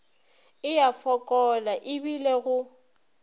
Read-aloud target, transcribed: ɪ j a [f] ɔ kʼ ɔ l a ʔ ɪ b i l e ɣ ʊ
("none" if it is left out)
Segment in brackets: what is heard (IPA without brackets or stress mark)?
f